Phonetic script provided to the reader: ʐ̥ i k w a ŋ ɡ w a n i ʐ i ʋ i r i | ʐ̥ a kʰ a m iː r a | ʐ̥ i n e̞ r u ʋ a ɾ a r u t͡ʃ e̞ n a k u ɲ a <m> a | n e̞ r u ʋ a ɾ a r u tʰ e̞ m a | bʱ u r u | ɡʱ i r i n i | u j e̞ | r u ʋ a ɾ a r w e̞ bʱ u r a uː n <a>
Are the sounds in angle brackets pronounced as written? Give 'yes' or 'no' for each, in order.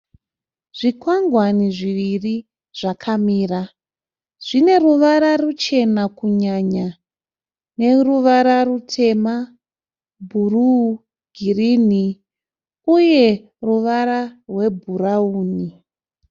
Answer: no, no

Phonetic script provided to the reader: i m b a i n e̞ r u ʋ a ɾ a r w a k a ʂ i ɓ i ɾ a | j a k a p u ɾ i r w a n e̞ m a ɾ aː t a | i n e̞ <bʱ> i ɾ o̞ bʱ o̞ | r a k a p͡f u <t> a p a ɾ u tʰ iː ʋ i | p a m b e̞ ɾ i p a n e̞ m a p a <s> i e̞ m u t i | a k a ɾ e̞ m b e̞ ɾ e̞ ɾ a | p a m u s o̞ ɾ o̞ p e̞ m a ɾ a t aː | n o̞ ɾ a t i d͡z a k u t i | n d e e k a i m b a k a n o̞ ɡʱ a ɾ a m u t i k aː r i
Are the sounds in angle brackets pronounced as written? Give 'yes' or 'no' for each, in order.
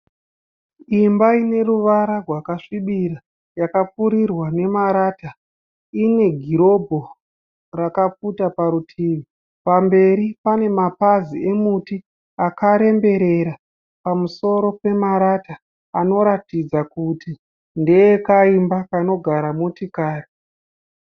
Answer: no, yes, no

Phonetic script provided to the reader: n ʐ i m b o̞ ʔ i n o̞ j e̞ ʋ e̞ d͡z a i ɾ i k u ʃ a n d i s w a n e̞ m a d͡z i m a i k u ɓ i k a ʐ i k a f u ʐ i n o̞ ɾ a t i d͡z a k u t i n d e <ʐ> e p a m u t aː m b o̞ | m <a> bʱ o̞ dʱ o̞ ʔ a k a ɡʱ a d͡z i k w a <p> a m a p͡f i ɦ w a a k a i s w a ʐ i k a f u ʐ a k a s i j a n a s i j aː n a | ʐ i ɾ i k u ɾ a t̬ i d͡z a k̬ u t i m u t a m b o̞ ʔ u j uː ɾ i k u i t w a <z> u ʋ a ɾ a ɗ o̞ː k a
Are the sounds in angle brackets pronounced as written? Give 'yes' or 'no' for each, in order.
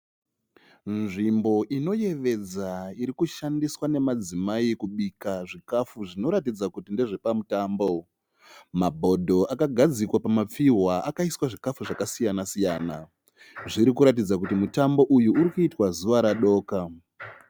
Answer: yes, yes, yes, yes

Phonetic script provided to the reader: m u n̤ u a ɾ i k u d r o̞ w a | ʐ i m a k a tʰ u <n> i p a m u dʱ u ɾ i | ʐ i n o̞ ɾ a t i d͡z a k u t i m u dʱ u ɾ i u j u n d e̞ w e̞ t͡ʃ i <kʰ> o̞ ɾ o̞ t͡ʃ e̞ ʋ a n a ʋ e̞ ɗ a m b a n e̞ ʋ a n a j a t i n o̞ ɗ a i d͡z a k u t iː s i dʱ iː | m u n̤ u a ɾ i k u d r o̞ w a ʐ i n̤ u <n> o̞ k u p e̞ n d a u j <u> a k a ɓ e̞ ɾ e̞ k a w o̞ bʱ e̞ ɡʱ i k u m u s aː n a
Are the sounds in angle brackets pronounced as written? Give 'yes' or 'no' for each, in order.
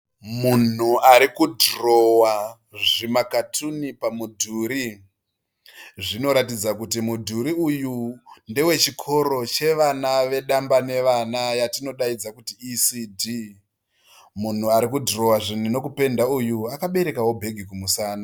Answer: yes, yes, yes, yes

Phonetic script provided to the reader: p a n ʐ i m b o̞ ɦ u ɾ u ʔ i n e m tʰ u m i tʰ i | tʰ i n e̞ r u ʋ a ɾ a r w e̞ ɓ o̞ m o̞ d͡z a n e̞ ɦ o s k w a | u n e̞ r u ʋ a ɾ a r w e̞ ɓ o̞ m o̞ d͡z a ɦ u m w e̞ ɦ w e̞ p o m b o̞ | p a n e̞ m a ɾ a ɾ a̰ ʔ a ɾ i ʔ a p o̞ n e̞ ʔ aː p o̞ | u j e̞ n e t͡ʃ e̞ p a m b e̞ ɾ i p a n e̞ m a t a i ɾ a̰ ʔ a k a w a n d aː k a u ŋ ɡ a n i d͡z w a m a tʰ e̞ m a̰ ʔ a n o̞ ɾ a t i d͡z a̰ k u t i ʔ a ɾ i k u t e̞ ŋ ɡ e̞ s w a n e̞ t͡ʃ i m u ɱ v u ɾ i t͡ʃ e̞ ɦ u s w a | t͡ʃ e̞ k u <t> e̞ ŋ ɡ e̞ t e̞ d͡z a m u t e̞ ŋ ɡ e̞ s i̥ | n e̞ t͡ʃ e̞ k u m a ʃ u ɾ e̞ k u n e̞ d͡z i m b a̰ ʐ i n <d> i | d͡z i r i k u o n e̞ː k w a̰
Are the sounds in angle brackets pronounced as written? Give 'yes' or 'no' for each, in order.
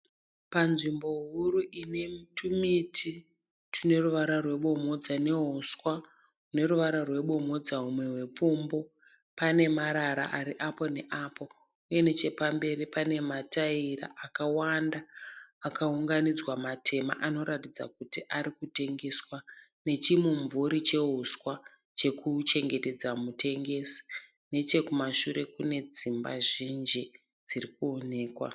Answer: no, no

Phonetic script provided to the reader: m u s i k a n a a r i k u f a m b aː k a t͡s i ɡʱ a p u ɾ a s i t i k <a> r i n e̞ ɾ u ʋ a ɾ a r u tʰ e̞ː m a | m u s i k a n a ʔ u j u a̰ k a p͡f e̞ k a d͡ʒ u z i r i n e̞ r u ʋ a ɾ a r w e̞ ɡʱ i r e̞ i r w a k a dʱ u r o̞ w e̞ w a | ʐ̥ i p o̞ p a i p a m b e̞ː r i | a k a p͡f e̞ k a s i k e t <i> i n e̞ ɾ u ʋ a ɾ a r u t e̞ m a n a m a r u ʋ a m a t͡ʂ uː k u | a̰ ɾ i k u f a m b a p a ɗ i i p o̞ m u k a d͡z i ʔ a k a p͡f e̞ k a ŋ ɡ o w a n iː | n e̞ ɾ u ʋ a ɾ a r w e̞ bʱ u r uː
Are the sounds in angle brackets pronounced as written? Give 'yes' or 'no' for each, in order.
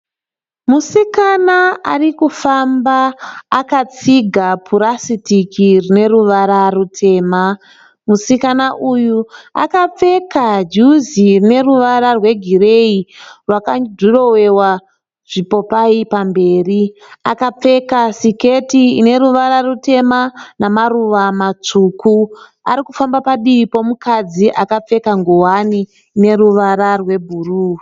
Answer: no, yes

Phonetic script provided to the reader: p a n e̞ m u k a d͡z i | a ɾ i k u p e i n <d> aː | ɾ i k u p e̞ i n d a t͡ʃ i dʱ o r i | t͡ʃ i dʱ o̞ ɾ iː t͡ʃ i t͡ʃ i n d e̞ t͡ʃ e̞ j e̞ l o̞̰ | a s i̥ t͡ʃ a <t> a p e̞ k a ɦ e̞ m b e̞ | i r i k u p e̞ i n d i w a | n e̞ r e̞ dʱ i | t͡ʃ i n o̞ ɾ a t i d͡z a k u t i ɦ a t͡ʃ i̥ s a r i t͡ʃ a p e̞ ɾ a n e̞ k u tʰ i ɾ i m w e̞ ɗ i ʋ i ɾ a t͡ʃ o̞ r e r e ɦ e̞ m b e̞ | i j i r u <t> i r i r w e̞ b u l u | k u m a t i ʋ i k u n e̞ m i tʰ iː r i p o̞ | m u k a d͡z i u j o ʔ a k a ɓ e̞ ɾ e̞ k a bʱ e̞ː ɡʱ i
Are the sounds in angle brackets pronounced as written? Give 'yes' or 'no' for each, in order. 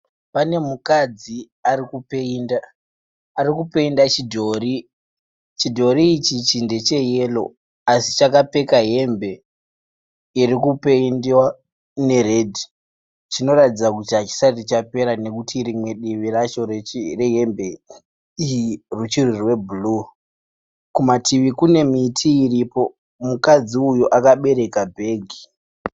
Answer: yes, no, no

